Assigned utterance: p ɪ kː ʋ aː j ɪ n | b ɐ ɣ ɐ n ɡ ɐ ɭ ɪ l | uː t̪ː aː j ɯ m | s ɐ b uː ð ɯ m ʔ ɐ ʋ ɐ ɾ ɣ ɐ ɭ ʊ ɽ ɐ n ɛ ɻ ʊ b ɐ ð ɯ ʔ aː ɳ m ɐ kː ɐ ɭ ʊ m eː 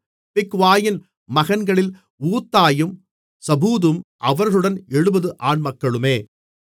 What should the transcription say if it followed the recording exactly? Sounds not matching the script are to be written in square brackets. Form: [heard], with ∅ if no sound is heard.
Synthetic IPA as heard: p ɪ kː ʋ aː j ɪ n | [m] ɐ ɣ ɐ n ɡ ɐ ɭ ɪ l | uː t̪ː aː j ɯ m | s ɐ b uː ð ɯ m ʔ ɐ ʋ ɐ ɾ ɣ ɐ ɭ [ɯ] ɽ ɐ n ɛ ɻ [ɯ] b ɐ ð ɯ ʔ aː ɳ m ɐ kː ɐ ɭ [ɯ] m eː